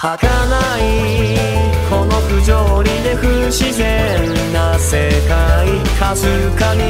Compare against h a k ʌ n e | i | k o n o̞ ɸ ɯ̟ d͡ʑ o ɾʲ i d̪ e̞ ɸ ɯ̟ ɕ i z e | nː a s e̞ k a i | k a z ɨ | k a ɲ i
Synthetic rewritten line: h a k a n a | i | k o n o̞ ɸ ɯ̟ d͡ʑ o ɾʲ i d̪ e̞ ɸ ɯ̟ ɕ i z e | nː a s e̞ k a i | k a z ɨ | k a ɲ i